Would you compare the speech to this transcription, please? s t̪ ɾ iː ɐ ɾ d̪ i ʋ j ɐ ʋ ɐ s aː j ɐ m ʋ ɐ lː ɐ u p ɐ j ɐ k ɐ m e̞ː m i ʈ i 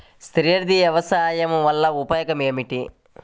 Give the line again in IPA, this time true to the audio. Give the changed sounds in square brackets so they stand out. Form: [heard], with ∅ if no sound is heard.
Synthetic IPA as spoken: s t̪ ɾ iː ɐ ɾ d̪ i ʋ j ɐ ʋ ɐ s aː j ɐ m ʋ ɐ lː ɐ u p ɐ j ɐ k ɐ m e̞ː m i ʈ i